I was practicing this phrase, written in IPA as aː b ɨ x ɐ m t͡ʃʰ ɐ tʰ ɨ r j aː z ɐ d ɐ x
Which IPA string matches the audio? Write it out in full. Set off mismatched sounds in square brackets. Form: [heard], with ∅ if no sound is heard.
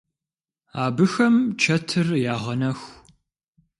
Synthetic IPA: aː b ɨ x ɐ m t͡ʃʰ ɐ tʰ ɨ r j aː [ʁ] ɐ [n] ɐ x